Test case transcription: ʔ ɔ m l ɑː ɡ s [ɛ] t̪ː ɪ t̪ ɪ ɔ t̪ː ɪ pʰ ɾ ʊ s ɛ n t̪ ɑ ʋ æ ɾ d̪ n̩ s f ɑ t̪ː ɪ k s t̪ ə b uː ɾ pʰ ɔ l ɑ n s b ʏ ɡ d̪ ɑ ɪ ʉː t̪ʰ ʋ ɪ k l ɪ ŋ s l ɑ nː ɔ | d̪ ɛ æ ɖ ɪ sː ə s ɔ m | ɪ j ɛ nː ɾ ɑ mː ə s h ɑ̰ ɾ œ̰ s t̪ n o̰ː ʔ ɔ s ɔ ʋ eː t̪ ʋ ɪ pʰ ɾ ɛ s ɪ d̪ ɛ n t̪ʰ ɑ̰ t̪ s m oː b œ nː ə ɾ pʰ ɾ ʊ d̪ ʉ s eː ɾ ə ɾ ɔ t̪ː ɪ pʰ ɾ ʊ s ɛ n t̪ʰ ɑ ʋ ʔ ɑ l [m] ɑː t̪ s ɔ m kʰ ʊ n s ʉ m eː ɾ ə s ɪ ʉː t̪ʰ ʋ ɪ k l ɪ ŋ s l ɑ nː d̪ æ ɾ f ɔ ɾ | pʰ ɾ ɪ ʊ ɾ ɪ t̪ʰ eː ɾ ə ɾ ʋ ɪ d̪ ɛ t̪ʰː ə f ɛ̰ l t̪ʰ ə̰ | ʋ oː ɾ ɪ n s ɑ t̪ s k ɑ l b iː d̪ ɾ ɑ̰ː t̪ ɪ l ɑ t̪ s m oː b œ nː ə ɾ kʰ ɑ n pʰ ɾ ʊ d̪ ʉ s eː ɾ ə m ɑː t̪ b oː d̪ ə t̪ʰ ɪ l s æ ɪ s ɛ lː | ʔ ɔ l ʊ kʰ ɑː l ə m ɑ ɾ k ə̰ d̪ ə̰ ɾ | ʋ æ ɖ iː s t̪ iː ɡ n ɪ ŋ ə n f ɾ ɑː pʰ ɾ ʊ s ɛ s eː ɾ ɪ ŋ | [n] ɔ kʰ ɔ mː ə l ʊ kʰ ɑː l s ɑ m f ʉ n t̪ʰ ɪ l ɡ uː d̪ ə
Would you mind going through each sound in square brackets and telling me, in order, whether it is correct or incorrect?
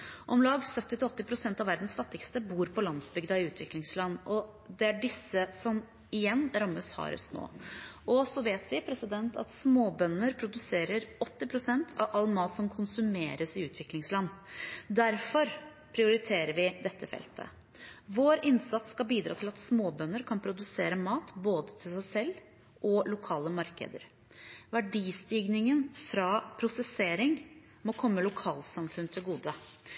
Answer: incorrect: œ, correct, incorrect: m

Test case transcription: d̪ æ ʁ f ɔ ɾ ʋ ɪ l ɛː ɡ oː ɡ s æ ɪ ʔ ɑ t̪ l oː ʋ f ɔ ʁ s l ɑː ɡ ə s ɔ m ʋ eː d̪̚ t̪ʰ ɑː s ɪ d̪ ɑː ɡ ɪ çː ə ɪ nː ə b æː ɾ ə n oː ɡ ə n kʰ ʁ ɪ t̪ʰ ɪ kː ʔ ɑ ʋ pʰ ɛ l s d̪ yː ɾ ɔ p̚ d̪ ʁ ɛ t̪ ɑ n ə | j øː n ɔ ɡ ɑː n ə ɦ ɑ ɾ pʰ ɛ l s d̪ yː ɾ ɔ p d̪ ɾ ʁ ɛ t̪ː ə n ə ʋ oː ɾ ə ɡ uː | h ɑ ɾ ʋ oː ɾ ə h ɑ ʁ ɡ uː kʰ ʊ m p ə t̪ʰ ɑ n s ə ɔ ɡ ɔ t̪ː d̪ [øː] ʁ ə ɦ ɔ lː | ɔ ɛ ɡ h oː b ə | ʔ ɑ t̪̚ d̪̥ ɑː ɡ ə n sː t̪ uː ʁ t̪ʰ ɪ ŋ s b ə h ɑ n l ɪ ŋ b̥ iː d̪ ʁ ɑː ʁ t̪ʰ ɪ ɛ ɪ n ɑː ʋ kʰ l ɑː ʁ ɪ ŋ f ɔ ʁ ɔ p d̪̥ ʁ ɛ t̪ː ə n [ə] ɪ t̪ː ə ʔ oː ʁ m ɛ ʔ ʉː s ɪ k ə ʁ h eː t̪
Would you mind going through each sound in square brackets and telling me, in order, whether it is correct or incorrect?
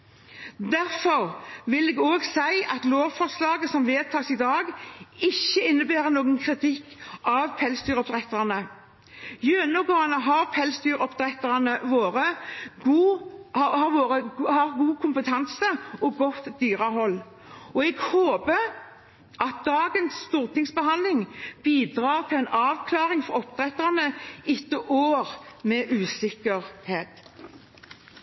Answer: incorrect: yː, correct

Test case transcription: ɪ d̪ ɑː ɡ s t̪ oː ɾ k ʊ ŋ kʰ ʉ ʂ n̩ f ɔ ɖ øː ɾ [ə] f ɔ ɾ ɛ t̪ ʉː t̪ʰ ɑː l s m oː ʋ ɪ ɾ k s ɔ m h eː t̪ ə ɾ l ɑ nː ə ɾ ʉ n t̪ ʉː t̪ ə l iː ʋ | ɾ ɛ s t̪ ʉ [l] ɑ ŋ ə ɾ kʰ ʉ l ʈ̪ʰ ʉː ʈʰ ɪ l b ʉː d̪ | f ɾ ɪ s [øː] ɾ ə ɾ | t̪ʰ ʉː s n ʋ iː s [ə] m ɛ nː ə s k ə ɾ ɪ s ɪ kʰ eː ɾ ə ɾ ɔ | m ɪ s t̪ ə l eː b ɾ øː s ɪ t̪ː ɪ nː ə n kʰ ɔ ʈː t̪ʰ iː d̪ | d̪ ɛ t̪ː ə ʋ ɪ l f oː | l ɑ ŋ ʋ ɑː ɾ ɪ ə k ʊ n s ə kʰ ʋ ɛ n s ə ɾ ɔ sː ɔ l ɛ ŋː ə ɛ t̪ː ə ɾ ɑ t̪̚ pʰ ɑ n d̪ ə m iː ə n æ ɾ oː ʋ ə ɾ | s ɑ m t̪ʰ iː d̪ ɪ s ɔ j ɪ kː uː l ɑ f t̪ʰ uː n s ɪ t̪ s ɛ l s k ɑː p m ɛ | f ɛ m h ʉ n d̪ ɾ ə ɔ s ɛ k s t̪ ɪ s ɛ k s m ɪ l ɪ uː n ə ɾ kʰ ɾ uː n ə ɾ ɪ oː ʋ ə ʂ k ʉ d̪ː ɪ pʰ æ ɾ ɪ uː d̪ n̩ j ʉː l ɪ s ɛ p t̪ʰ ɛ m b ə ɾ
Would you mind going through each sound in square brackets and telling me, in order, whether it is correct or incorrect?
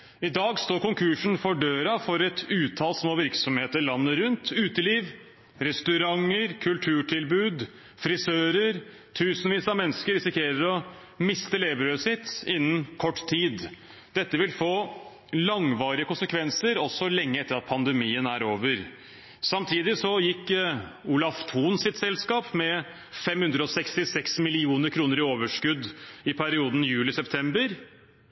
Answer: incorrect: ɑ, incorrect: ɾ, correct, incorrect: ɑ

